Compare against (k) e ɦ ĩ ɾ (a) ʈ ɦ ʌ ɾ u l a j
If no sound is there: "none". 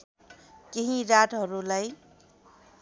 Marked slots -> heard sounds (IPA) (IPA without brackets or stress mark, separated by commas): k, a